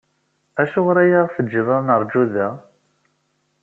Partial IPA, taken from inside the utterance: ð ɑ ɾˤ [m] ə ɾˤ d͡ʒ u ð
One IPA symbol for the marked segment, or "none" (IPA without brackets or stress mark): n